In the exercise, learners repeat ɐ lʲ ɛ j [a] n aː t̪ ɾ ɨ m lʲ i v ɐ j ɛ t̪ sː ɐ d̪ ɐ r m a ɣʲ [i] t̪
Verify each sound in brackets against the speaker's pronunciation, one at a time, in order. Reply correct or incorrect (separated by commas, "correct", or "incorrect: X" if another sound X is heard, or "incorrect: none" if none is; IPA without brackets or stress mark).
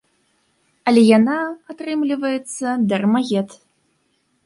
correct, incorrect: ɛ